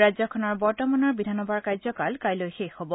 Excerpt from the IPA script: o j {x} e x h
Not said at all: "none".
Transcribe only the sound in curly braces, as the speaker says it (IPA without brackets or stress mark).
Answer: x